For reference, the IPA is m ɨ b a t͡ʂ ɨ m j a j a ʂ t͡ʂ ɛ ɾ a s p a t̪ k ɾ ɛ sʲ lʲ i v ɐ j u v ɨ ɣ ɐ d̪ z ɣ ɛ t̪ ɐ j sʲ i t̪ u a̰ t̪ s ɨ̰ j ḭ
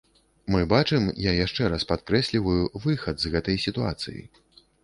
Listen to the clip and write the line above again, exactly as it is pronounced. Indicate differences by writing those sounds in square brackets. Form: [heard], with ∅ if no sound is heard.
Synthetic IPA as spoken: m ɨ b a t͡ʂ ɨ m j a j a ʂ t͡ʂ ɛ ɾ a s p a t̪ k ɾ ɛ sʲ lʲ i v ɐ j u v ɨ [x] ɐ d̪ z ɣ ɛ t̪ ɐ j sʲ i t̪ u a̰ t̪ s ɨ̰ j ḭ